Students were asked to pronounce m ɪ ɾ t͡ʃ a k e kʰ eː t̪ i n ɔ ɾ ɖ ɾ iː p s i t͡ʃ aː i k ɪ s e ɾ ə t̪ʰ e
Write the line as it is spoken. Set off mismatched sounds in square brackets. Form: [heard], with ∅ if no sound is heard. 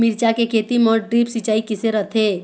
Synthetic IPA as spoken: m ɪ ɾ t͡ʃ a k e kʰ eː t̪ i [m] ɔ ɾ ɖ ɾ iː p s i t͡ʃ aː i k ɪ s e ɾ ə t̪ʰ e

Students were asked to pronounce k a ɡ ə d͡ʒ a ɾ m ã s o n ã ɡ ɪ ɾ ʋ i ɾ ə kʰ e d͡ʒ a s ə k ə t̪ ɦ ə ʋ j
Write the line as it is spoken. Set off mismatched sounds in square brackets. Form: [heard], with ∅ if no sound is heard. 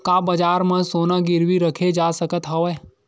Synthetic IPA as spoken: k a [b] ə d͡ʒ a ɾ m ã s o n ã ɡ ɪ ɾ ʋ i ɾ ə kʰ e d͡ʒ a s ə k ə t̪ ɦ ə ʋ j

